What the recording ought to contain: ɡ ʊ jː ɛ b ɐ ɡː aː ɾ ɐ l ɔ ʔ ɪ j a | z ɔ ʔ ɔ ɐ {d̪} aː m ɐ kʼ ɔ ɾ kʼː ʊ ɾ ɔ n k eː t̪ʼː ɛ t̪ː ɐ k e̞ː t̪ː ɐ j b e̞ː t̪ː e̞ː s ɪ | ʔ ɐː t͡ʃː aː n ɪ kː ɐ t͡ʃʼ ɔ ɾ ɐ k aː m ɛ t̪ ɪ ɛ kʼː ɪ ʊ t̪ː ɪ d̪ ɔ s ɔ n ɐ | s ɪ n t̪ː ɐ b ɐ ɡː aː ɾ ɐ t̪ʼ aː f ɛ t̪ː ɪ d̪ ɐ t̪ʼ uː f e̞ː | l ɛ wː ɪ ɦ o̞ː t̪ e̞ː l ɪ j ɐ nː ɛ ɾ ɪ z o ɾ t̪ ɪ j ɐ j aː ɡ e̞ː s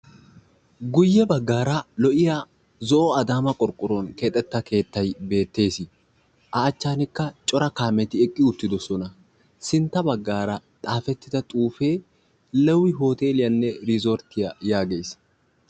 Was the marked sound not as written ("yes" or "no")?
no